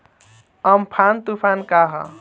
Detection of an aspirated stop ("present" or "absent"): present